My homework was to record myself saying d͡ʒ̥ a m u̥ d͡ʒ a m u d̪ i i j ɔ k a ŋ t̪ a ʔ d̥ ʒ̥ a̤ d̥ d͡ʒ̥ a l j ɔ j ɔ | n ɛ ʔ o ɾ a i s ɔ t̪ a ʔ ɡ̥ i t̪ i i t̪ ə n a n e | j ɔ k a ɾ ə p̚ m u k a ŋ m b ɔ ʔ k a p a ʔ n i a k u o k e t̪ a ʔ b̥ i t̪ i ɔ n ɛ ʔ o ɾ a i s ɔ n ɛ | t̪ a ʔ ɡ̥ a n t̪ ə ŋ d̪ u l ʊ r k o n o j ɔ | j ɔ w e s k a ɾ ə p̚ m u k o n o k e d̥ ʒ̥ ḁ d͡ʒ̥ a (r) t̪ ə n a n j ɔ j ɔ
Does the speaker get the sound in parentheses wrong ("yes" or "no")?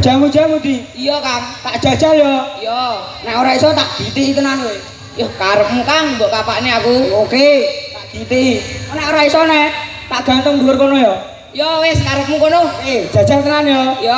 yes